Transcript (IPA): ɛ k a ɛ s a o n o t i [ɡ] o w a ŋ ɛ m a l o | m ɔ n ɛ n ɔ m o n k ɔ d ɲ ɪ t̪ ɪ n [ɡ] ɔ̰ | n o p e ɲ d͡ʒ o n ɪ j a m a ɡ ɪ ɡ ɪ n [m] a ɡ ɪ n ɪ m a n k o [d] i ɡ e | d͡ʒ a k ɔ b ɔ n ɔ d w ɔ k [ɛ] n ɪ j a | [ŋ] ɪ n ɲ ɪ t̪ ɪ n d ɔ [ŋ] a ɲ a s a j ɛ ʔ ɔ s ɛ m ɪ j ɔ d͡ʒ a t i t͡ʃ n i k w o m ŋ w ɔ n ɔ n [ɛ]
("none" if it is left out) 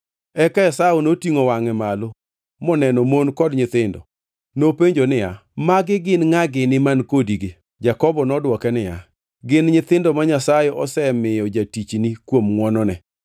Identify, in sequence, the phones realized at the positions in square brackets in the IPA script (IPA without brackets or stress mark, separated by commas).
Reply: ŋ, d, ŋ, d, ɛ, ɡ, m, ɛ